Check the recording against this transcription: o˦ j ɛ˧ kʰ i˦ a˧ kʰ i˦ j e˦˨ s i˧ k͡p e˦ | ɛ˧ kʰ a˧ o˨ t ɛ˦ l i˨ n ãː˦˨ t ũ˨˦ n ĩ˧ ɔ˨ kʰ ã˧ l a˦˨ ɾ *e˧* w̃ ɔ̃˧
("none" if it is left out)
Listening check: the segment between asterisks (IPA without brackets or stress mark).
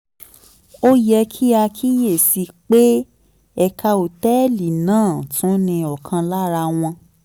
a˧